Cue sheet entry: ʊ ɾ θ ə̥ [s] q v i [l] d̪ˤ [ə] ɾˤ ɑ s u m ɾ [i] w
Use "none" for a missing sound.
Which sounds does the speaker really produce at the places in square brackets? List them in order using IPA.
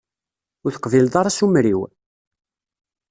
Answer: none, l, ɑ, i

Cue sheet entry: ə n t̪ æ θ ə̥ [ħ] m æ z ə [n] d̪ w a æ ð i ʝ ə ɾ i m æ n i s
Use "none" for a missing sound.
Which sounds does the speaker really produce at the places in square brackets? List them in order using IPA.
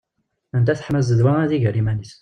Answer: ħ, none

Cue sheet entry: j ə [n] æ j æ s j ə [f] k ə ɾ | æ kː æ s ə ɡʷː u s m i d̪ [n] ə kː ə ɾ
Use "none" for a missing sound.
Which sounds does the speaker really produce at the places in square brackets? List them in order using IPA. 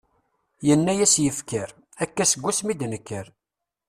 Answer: nː, f, n

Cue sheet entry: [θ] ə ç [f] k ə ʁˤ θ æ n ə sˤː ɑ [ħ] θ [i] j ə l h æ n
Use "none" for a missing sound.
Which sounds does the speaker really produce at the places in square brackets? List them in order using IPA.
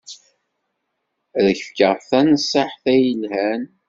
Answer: ð, f, ħ, æ

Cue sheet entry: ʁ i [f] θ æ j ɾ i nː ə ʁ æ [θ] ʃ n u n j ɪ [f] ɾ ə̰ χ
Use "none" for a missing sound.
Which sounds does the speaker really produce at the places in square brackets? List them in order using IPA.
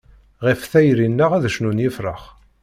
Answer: f, ð, f

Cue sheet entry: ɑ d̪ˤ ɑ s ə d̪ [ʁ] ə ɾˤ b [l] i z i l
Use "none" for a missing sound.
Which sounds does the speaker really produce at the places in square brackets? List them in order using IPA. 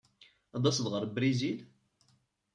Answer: ʁ, ɾ

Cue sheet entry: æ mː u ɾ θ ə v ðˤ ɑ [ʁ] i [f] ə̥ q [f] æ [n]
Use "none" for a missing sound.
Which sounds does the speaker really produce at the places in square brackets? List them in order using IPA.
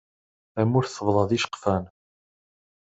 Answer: ð, ʃ, f, n

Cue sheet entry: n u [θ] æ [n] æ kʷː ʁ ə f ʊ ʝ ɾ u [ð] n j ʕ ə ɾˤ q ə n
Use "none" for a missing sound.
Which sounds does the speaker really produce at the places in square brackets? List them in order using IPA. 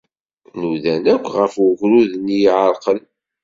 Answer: ð, n, ð

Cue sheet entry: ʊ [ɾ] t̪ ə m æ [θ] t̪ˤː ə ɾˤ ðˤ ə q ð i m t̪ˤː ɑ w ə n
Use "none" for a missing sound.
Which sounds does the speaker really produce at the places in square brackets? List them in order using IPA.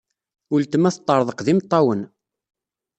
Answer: l, θ

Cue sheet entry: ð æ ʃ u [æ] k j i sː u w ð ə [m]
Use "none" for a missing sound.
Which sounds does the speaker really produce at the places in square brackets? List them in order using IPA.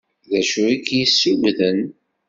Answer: i, n

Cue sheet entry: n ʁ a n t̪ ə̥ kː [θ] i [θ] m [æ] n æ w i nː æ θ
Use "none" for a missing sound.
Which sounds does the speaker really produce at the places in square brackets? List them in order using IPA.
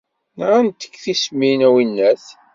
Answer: θ, s, i

